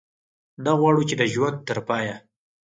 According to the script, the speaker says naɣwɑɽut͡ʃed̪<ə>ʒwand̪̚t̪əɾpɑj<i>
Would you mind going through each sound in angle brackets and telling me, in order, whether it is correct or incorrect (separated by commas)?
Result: correct, incorrect